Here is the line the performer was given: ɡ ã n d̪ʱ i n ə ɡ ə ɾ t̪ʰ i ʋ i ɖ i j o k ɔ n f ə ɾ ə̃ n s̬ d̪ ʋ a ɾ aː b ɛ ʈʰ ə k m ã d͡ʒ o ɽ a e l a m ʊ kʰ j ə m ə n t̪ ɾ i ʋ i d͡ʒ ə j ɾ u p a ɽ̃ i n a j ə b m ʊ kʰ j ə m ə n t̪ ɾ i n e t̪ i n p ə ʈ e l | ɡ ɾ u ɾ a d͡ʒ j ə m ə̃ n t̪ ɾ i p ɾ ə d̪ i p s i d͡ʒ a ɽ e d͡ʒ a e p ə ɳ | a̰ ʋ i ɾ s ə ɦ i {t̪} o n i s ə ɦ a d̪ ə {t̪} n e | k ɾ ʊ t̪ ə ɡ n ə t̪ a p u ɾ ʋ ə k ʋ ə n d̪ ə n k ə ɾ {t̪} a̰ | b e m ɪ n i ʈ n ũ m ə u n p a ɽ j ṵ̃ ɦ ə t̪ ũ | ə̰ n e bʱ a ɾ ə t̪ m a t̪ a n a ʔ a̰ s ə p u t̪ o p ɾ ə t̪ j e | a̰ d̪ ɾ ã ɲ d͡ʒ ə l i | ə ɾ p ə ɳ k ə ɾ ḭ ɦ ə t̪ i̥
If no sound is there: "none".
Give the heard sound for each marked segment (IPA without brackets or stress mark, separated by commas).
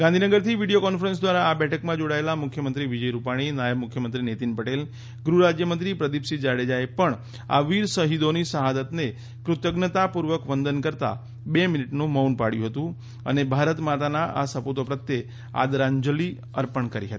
d̪, t̪, t̪